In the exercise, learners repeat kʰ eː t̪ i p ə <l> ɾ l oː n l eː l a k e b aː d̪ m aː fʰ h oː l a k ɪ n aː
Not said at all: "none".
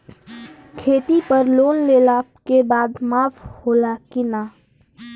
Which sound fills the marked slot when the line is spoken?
none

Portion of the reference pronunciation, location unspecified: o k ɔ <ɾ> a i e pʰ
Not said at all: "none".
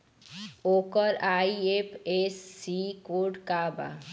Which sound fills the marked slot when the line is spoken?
ɾ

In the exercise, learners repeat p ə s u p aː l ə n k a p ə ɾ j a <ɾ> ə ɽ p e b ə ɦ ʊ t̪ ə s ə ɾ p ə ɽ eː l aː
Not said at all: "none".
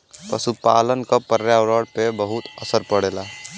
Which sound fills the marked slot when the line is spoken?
ɾ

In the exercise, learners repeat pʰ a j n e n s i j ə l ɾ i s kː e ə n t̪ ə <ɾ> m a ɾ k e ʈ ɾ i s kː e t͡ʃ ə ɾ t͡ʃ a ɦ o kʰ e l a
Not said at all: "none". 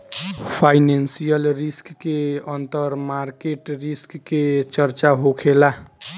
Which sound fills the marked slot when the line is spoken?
ɾ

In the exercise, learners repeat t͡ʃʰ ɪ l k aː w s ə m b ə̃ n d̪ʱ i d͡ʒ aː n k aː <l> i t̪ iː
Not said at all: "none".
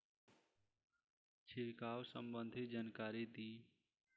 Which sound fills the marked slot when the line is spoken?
ɾ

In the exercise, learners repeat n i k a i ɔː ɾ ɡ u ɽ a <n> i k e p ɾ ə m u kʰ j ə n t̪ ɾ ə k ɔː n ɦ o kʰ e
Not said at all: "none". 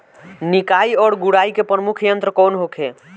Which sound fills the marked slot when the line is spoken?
none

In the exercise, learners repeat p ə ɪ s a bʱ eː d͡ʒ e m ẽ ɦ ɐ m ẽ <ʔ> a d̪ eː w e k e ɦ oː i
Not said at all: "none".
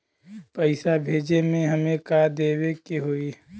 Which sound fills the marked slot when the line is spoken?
k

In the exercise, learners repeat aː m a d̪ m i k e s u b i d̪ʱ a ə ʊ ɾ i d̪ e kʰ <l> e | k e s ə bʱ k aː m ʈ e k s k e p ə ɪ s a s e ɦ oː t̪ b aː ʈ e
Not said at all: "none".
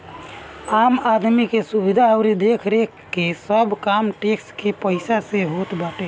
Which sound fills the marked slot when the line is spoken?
ɾ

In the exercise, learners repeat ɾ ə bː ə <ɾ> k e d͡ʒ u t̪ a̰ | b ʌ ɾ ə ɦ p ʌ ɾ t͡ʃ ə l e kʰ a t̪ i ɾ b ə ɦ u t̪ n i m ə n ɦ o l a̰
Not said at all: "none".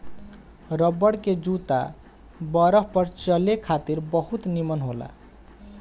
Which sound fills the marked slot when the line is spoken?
ɽ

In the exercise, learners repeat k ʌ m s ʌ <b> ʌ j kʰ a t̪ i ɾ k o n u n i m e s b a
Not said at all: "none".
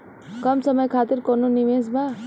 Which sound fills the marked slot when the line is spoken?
m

